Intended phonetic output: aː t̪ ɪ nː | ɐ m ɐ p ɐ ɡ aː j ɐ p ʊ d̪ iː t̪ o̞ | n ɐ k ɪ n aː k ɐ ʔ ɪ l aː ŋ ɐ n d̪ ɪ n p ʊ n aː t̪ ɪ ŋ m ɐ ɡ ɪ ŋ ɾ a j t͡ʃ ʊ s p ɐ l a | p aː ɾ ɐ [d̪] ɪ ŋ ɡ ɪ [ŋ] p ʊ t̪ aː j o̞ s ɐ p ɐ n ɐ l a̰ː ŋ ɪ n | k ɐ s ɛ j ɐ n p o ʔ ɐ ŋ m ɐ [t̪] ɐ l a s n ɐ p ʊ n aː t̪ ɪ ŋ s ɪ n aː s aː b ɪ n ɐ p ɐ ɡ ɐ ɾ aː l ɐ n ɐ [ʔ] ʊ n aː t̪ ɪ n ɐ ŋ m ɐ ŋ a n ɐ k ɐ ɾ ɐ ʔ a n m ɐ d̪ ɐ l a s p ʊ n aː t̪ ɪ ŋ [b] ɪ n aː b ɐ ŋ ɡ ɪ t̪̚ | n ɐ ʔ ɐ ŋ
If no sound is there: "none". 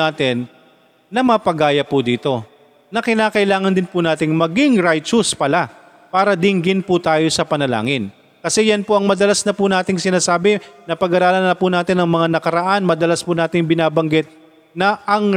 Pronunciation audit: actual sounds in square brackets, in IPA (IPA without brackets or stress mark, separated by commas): d̪, n, d̪, p, b